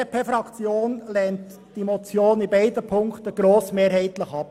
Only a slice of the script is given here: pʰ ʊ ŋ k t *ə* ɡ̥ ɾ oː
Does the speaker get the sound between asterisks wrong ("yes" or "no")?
no